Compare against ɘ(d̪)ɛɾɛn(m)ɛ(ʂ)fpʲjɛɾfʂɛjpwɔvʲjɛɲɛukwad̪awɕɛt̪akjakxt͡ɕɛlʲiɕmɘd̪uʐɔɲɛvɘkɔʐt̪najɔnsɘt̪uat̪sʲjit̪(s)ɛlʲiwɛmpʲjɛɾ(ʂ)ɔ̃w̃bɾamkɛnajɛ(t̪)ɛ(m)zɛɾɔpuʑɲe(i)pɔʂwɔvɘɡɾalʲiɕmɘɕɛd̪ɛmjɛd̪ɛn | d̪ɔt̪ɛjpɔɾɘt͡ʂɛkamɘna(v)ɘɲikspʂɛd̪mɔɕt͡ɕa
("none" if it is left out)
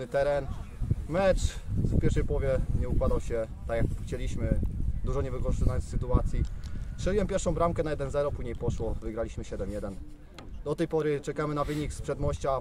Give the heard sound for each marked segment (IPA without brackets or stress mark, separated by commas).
t̪, m, t͡ʂ, ʂ, ʂ, d̪, n, j, v